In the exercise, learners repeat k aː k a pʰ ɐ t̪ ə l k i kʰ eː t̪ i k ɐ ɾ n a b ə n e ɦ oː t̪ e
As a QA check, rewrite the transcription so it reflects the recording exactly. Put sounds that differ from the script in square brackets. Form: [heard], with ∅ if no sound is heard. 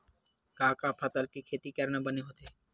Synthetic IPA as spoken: k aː k a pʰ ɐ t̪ ə l k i kʰ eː t̪ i k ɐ ɾ n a b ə n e ɦ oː t̪ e